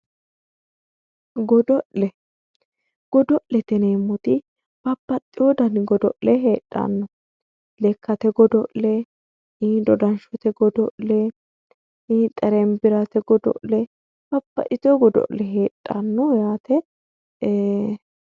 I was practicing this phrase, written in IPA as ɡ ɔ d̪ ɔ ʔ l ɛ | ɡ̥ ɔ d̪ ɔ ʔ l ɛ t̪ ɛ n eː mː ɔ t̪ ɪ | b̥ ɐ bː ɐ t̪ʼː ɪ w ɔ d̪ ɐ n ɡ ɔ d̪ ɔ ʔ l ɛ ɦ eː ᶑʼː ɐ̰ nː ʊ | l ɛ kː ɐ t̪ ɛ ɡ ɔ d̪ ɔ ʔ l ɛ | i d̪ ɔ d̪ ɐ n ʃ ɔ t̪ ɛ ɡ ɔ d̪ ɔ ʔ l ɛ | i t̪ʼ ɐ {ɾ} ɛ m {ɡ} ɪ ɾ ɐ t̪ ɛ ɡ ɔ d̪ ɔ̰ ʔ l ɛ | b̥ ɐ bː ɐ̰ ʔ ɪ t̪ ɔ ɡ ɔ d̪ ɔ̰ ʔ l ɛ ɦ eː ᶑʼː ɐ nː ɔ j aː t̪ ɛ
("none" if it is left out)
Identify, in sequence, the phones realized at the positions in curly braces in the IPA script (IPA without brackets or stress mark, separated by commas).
ɾ, b